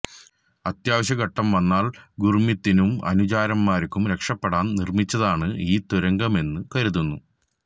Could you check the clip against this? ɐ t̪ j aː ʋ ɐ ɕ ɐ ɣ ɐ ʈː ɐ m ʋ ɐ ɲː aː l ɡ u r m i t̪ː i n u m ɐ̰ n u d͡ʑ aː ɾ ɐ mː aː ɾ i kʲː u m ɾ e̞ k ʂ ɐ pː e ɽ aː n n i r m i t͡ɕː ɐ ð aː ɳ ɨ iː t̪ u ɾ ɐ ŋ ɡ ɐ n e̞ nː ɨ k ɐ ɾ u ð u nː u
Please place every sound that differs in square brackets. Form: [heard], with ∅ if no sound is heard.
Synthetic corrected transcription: ɐ t̪ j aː ʋ ɐ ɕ ɐ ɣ ɐ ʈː ɐ m ʋ ɐ [nː] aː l ɡ u r m i t̪ː i n u m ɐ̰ n u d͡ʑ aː ɾ ɐ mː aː ɾ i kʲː u m ɾ e̞ k ʂ ɐ pː e ɽ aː n n i r m i t͡ɕː ɐ ð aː ɳ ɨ iː t̪ u ɾ ɐ ŋ ɡ ɐ [m] e̞ nː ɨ k ɐ ɾ u ð u nː u

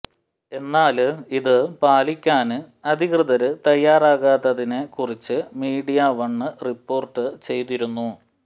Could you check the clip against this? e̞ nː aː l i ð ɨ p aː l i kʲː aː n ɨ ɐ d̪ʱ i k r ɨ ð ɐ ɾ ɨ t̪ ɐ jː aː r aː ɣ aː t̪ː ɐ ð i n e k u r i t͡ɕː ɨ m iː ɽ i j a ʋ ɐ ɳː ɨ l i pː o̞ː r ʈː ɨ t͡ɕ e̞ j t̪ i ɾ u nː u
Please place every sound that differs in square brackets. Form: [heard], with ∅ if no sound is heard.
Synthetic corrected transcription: e̞ nː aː l i ð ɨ p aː l i kʲː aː n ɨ ɐ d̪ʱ i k r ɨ ð ɐ ɾ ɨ t̪ ɐ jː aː r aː ɣ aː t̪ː ɐ ð i n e k u r i t͡ɕː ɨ m iː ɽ i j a ʋ ɐ ɳː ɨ [r] i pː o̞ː r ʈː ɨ t͡ɕ e̞ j t̪ i ɾ u nː u

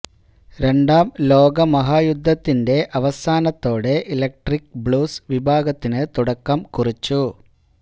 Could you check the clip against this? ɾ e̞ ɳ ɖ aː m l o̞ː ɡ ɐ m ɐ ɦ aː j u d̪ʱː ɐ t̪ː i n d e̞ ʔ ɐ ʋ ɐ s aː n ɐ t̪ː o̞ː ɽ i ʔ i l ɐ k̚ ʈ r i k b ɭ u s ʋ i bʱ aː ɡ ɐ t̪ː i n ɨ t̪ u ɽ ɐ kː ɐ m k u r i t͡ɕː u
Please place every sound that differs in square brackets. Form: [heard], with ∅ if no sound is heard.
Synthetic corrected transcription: ɾ e̞ ɳ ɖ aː m l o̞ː ɡ ɐ m ɐ ɦ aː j u d̪ʱː ɐ t̪ː i n d e̞ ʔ ɐ ʋ ɐ s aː n ɐ t̪ː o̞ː ɽ [e] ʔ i l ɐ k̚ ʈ r i k b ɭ [uː] s ʋ i bʱ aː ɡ ɐ t̪ː i n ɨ t̪ u ɽ ɐ kː ɐ m k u r i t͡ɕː u

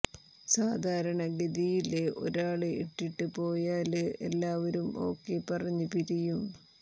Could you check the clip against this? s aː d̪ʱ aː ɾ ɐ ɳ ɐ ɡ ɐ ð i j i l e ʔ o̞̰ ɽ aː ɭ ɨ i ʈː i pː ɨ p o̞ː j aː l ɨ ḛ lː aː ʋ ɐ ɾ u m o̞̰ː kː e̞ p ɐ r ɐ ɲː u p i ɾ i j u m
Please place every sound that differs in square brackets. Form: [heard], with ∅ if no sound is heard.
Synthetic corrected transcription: s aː d̪ʱ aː ɾ ɐ ɳ ɐ ɡ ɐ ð i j i l e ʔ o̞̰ [ɾ] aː ɭ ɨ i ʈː i [ʈː] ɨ p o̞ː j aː l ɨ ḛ lː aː ʋ ɐ ɾ u m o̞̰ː kː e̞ p ɐ r ɐ ɲː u p i ɾ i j u m

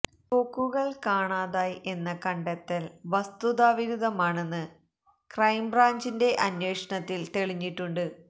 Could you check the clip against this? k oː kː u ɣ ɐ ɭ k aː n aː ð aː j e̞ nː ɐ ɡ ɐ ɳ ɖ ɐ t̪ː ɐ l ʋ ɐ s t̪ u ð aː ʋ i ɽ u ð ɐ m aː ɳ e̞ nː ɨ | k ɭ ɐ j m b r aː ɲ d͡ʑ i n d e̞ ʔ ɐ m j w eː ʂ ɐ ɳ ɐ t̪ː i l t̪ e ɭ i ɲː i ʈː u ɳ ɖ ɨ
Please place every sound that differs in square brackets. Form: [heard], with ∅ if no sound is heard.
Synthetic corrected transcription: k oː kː u ɣ ɐ ɭ k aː [ɳ] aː ð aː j e̞ nː ɐ [k] ɐ ɳ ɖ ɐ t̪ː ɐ l ʋ ɐ s t̪ u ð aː ʋ i [ɾ] u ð ɐ m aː ɳ e̞ nː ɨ | k [r] ɐ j m b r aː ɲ d͡ʑ i n d e̞ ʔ ɐ [n] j w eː ʂ ɐ ɳ ɐ t̪ː i l t̪ e ɭ i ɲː i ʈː u ɳ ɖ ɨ

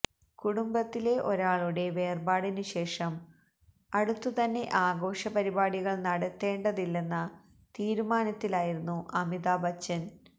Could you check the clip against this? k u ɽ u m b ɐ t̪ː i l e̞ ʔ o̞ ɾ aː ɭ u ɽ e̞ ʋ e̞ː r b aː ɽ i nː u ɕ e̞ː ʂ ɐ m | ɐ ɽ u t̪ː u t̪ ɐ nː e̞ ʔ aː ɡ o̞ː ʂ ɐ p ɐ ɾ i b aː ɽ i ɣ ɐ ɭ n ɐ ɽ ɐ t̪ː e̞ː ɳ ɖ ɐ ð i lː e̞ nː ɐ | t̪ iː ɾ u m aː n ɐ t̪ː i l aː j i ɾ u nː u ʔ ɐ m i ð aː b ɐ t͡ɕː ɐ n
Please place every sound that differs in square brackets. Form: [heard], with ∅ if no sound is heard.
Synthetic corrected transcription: k u ɽ u m b ɐ t̪ː i l e̞ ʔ o̞ ɾ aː ɭ u ɽ e̞ ʋ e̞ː r b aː ɽ i [n] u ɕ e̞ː ʂ ɐ m | ɐ ɽ u t̪ː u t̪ ɐ nː e̞ ʔ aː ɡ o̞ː ʂ ɐ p ɐ ɾ i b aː ɽ i ɣ ɐ ɭ n ɐ ɽ ɐ t̪ː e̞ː ɳ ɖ ɐ ð i lː e̞ nː ɐ | t̪ iː ɾ u m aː n ɐ t̪ː i l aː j i ɾ u nː u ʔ ɐ m i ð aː b ɐ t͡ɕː ɐ n

